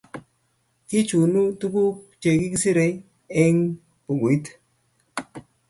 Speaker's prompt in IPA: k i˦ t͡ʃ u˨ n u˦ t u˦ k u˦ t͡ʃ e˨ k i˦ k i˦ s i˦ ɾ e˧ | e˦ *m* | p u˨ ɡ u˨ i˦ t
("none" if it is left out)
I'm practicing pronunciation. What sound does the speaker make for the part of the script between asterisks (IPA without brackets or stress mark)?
ŋ